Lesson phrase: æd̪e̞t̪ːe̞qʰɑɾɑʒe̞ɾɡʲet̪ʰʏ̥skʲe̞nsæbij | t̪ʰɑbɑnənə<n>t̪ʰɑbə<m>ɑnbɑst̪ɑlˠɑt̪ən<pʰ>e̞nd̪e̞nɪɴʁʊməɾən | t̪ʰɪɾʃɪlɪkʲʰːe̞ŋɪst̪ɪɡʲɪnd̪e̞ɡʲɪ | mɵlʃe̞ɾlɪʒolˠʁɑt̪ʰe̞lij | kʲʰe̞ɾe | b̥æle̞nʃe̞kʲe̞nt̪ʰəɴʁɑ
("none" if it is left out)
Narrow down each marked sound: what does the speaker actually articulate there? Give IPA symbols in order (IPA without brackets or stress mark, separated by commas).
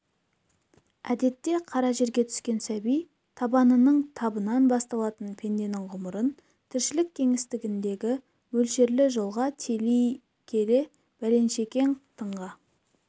ɴ, n, pʰ